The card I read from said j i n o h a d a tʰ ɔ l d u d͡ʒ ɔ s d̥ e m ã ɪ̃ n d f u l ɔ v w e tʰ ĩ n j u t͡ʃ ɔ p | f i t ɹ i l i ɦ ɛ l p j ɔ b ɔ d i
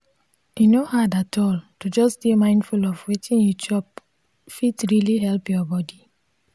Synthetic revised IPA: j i n o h a d a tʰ ɔ l t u d͡ʒ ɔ s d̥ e m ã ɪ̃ n d f u l ɔ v w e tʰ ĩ n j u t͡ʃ ɔ p | f i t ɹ i l i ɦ ɛ l p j ɔ b ɔ d i